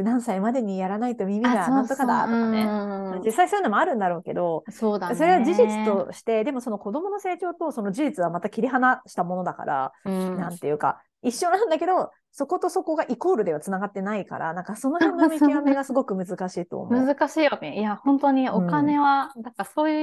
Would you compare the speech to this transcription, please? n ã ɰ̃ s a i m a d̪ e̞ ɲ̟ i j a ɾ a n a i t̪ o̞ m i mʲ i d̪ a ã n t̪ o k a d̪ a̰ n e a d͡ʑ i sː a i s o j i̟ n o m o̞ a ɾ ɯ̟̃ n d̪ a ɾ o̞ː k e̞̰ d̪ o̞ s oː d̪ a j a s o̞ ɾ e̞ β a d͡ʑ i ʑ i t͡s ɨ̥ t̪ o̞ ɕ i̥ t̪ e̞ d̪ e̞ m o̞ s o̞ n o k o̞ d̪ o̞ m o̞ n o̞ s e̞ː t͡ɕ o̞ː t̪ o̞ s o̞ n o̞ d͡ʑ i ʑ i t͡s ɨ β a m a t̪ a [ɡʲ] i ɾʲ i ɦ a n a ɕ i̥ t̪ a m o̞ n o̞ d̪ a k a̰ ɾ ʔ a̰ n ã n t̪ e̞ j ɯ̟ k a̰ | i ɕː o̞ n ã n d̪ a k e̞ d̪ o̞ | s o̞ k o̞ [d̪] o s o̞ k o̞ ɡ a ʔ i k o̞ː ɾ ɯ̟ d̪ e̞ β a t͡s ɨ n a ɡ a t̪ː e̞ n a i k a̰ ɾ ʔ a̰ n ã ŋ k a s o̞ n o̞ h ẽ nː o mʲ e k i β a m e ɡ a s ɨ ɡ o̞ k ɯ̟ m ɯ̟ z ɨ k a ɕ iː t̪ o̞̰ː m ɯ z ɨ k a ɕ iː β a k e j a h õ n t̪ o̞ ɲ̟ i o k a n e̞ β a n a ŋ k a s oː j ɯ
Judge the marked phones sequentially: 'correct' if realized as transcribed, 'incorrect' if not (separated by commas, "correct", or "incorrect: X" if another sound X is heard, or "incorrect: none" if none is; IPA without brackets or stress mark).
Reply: incorrect: kʲ, incorrect: t̪